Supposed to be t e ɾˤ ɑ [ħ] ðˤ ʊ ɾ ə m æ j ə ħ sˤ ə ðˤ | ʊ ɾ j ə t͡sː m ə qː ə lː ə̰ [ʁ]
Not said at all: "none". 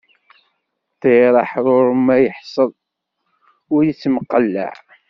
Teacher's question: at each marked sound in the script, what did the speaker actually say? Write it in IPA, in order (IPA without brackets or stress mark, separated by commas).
ħ, ʕ